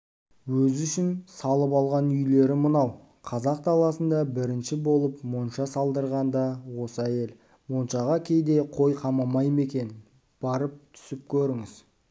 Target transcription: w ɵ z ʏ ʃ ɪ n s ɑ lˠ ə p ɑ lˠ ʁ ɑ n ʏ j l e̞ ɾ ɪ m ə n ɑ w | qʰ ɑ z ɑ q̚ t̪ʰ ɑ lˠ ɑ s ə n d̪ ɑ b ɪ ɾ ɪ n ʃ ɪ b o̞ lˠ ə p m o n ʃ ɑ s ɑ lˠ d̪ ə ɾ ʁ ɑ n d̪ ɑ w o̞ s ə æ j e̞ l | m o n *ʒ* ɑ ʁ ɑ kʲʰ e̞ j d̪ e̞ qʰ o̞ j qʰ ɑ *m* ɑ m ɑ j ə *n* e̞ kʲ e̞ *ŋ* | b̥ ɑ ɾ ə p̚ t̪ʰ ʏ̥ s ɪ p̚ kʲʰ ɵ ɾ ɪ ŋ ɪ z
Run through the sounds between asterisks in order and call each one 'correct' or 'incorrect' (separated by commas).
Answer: incorrect, correct, incorrect, incorrect